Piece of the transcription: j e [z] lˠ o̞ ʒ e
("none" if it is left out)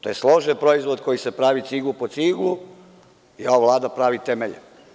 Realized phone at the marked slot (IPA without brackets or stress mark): s